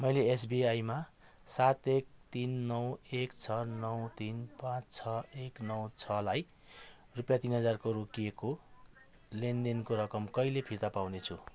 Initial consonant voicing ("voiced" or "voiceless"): voiced